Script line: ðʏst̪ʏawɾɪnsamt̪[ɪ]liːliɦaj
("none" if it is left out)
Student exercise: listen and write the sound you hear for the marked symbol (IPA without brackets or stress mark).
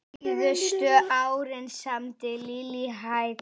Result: ɪ